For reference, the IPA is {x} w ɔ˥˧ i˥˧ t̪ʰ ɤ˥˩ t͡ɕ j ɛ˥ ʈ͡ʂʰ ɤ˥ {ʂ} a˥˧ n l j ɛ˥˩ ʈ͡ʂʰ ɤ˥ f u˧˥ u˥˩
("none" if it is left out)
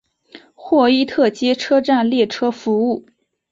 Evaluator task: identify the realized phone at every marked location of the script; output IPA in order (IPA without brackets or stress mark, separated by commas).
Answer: x, ʈ͡ʂ